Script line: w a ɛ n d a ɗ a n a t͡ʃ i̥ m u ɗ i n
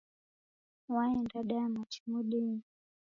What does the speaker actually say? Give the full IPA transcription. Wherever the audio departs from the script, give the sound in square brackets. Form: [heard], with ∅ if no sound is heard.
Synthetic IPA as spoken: w a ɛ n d a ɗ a [m] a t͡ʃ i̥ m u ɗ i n